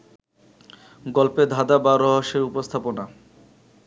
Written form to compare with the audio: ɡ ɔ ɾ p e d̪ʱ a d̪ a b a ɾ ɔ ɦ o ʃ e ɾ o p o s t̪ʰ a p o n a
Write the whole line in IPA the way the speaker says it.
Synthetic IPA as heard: ɡ ɔ l p e d̪ʱ a d̪ a b a ɾ ɔ ɦ o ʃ e ɾ u p o s t̪ʰ a p o n a